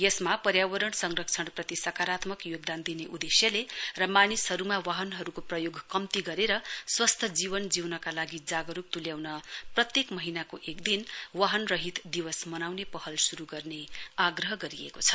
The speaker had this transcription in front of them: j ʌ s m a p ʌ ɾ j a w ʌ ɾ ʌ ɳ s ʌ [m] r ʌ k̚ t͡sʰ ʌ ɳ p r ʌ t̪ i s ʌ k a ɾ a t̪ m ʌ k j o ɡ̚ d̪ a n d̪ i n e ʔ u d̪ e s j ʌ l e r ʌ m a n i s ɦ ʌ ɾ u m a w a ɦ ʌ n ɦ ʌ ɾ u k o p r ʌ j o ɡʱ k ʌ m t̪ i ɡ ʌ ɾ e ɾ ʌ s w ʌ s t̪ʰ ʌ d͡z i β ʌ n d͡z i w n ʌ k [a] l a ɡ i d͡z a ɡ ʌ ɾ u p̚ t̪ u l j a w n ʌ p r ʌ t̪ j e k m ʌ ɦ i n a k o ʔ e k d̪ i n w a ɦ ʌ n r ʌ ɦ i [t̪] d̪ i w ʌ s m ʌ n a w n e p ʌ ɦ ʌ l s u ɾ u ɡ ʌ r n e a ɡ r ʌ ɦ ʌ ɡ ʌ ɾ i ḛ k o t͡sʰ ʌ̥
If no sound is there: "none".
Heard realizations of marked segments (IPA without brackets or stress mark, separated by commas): ŋ, a, t̪